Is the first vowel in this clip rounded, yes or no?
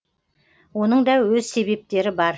yes